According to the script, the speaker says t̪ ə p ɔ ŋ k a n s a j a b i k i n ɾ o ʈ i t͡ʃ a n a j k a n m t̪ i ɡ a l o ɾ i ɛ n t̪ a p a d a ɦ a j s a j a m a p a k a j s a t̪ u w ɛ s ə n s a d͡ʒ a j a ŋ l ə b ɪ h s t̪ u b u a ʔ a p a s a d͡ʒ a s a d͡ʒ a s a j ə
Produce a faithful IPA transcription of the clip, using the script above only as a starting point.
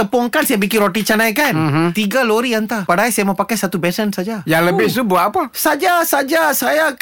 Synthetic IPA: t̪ ə p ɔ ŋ k a n s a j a b i k i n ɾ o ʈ i t͡ʃ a n a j k a n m t̪ i ɡ a l o ɾ i a n t̪ a p a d a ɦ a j s a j a m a p a k a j s a t̪ u b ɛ s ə n s a d͡ʒ a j a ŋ l ə b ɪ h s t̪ u b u a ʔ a p a s a d͡ʒ a s a d͡ʒ a s a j a